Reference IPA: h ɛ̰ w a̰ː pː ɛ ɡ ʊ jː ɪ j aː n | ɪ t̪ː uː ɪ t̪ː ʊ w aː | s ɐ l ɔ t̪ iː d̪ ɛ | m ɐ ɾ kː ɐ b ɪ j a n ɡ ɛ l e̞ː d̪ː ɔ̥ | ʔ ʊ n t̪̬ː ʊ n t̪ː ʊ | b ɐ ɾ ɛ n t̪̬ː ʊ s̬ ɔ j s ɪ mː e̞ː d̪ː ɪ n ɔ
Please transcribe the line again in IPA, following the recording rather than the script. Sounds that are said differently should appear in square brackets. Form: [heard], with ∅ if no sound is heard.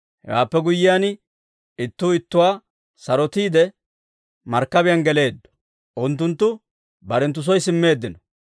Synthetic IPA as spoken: h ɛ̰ w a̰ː pː ɛ ɡ ʊ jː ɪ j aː n | ɪ t̪ː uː ɪ t̪ː ʊ w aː | s ɐ [ɾ] ɔ t̪ iː d̪ ɛ | m ɐ ɾ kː ɐ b ɪ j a n ɡ ɛ l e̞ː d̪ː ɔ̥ | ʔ ʊ n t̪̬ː ʊ n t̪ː ʊ | b ɐ ɾ ɛ n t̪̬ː ʊ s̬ ɔ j s ɪ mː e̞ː d̪ː ɪ n ɔ